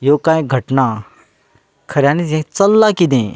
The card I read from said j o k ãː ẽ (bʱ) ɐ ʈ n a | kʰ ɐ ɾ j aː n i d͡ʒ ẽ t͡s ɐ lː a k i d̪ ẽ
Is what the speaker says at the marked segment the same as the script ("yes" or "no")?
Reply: no